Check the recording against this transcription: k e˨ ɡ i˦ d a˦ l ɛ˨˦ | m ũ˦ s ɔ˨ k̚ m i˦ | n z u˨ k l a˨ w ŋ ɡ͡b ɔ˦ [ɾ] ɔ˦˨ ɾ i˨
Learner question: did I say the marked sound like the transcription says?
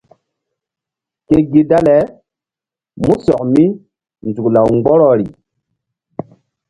yes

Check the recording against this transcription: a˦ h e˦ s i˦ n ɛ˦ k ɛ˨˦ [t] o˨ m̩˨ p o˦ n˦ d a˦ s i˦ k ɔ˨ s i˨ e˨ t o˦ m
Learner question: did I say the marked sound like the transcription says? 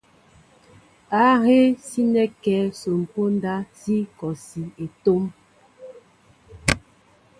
no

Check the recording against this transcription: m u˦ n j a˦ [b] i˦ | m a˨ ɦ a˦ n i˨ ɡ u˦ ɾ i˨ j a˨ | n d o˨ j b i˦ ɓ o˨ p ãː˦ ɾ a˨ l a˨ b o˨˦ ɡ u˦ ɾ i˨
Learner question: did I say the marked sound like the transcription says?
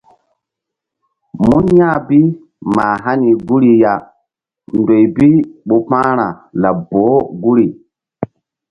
yes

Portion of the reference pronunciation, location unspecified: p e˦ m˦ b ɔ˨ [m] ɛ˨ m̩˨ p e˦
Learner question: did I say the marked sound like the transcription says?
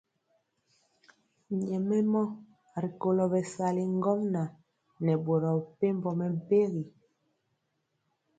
yes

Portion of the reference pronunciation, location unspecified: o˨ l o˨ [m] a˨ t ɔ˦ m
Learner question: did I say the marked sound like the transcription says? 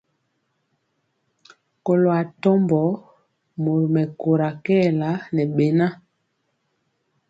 no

